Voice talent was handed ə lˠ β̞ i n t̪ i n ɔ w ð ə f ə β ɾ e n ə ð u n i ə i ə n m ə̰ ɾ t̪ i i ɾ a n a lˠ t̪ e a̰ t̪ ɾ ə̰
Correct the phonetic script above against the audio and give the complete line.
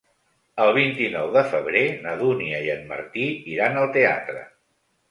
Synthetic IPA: ə lˠ β̞ i n t̪ i n ɔ w ð ə f ə β ɾ e n ə ð u n i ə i ə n m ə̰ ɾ t̪ i i ɾ a n ə lˠ t̪ e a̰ t̪ ɾ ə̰